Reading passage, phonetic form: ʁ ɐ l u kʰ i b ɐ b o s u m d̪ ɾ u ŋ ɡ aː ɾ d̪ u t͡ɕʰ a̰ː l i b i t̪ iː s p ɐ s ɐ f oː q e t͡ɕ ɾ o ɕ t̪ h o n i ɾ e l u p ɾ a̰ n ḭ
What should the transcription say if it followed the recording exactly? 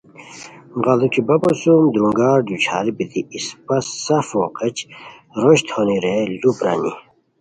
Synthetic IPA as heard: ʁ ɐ l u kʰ i b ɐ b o s u m d̪ ɾ u ŋ ɡ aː ɾ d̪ u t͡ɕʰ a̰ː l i b i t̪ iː s p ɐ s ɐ f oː q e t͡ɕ ɾ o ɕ t̪ h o n i ɾ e l u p ɾ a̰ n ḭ